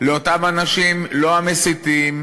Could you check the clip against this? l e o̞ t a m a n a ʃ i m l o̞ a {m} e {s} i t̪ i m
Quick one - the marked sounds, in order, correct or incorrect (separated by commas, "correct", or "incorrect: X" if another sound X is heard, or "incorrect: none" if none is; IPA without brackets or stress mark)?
correct, correct